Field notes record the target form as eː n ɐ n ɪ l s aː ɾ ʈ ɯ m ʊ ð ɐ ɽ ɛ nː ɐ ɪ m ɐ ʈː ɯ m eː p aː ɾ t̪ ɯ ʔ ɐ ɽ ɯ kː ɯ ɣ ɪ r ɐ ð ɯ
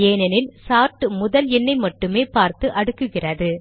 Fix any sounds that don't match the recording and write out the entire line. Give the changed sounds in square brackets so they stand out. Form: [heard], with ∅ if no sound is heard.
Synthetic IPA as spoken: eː n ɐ n ɪ l s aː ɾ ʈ ɯ m ʊ ð ɐ [l] ɛ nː ɐ ɪ m ɐ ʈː ɯ m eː p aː ɾ t̪ ɯ ʔ ɐ ɽ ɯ kː ɯ ɣ ɪ r ɐ ð ɯ